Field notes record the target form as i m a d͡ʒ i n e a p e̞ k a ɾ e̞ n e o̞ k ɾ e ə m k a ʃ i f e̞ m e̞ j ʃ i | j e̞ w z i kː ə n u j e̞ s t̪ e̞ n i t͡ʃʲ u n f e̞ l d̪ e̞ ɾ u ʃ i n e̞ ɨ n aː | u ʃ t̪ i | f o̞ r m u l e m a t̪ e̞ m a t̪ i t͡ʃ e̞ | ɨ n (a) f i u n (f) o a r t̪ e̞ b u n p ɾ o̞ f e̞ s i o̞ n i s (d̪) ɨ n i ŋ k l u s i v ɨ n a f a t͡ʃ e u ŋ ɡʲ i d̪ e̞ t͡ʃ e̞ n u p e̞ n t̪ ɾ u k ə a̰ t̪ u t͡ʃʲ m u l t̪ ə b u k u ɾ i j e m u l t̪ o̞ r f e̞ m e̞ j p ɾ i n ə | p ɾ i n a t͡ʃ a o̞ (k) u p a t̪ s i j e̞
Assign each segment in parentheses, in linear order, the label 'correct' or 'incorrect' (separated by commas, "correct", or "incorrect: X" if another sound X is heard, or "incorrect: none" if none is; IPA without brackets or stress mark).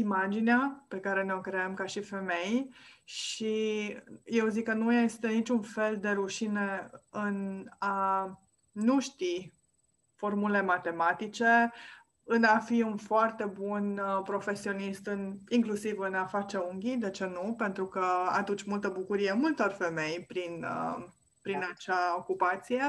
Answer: correct, correct, incorrect: t̪, correct